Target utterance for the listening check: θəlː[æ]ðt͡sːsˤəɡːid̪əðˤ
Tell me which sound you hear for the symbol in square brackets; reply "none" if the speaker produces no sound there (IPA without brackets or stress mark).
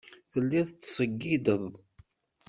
i